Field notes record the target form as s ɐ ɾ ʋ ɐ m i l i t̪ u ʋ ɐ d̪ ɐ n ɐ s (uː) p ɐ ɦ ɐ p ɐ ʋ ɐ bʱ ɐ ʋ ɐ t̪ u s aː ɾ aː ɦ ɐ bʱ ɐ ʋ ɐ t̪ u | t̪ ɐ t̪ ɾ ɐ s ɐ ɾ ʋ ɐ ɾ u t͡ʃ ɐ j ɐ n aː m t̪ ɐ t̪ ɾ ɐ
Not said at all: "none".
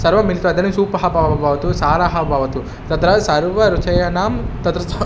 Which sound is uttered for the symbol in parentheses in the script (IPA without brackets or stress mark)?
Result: uː